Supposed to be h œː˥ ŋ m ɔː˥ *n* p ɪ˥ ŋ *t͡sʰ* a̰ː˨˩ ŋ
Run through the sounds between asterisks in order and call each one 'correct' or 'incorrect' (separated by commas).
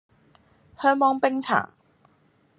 incorrect, correct